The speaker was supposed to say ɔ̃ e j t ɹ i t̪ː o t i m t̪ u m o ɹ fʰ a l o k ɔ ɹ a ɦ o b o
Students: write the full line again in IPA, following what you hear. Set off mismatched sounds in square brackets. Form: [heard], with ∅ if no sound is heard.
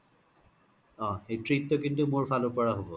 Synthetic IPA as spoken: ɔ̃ e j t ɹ i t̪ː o [k] i [n] t̪ u m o ɹ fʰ a l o [p] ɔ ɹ a ɦ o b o